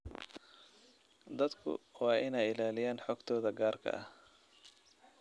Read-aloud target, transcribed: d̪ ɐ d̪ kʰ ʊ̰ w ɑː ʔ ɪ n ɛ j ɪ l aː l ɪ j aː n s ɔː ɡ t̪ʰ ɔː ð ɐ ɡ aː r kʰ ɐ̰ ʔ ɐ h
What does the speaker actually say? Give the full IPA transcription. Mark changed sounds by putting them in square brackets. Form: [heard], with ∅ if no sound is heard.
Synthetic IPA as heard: d̪ ɐ d̪ kʰ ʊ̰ w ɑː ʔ ɪ n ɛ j ɪ l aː l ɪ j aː n [ħ] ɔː ɡ t̪ʰ ɔː ð ɐ ɡ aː r kʰ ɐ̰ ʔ ɐ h